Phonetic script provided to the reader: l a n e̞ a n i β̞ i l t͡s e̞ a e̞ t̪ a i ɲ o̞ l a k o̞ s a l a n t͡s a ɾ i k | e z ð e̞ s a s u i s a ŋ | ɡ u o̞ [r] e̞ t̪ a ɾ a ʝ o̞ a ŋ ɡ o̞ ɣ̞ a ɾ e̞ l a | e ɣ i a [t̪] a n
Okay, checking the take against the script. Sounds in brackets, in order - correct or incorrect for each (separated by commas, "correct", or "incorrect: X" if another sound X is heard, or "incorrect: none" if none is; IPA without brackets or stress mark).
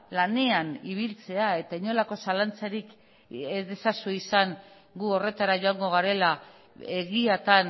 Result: correct, correct